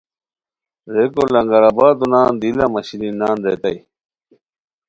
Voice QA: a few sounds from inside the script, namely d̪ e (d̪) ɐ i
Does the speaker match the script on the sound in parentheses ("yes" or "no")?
no